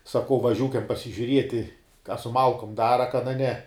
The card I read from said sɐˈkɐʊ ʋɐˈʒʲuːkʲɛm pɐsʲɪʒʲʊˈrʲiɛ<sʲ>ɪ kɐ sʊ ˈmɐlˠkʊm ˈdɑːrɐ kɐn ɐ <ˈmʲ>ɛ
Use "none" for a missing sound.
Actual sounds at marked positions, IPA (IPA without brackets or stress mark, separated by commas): tʲ, nʲ